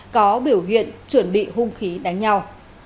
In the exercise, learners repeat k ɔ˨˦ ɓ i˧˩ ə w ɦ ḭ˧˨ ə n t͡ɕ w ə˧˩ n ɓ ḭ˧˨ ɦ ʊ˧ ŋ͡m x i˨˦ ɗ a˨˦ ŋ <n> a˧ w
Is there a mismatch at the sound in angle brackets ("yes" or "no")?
yes